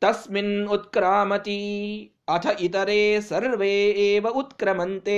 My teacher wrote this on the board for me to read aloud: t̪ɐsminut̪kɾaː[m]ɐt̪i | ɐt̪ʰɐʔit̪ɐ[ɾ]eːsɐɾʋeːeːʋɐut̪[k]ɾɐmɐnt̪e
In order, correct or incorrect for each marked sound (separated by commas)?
correct, correct, correct